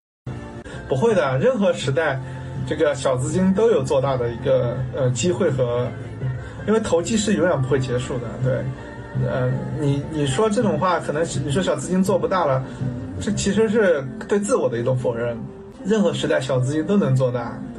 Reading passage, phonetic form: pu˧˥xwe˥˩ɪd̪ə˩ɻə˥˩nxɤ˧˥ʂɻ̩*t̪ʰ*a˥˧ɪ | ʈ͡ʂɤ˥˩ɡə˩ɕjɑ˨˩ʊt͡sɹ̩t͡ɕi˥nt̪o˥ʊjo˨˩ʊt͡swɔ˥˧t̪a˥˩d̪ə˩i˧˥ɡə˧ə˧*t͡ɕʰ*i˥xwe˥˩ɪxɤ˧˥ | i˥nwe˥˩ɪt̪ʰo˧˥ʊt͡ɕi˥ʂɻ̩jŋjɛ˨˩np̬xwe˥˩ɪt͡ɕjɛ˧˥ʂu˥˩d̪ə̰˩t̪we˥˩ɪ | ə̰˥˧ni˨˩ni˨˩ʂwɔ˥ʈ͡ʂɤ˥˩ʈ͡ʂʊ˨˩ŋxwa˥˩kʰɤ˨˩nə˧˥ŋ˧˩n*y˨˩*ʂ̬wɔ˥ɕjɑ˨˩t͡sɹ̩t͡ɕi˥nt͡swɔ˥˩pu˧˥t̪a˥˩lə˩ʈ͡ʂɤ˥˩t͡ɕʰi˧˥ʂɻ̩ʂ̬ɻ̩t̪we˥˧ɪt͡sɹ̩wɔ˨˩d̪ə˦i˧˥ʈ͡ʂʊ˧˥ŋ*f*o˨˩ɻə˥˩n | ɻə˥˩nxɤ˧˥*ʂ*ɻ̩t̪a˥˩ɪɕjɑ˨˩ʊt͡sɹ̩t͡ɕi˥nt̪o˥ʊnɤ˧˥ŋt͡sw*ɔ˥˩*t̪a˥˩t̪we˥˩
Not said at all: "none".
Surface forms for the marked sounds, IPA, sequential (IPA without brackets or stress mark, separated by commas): t̪, t͡ɕ, i˨˩, f, ʂ, ɔ˥˧